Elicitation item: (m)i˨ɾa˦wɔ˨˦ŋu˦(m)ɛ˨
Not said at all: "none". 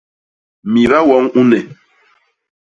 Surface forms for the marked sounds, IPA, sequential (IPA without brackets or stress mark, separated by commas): m, n